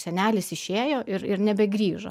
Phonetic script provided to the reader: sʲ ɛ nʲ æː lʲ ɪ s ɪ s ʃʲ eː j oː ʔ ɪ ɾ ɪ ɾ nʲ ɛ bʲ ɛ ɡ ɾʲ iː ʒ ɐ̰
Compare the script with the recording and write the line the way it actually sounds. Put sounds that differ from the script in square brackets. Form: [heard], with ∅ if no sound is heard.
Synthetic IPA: sʲ ɛ nʲ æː lʲ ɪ s ɪ [ʃ] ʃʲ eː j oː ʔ ɪ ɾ ɪ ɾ nʲ ɛ bʲ ɛ ɡ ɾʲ iː ʒ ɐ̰